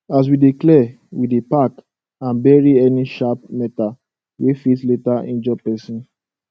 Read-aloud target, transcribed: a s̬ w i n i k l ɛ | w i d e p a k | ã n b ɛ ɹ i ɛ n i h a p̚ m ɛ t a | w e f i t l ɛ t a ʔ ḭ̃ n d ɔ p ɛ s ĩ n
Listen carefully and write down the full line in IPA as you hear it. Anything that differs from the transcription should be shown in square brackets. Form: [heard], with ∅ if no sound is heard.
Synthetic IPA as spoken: a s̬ w i [d] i k l ɛ | w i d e p a k | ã n b ɛ ɹ i ɛ n i [ʃ] a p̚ m ɛ t a | w e f i t l [e] t a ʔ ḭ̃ n [d͡ʒ] ɔ p ɛ s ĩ n